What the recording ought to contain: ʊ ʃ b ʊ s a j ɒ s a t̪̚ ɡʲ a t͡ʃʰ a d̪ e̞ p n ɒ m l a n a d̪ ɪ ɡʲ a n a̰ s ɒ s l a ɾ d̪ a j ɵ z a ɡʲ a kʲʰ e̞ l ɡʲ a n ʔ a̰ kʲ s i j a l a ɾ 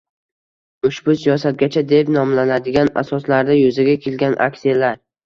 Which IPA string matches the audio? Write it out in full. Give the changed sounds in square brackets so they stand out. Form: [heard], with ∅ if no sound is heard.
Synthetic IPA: ʊ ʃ b ʊ s [i] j ɒ s a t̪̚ ɡʲ a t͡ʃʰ a d̪ e̞ p n ɒ m l a n a d̪ ɪ ɡʲ a n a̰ s ɒ s l a ɾ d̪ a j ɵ z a ɡʲ a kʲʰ e̞ l ɡʲ a n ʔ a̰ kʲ s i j a l a ɾ